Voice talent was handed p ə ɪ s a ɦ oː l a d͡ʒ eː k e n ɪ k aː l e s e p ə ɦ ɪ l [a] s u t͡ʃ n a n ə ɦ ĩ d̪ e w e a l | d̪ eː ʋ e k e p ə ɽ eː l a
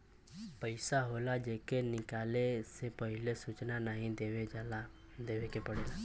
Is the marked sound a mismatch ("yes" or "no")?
yes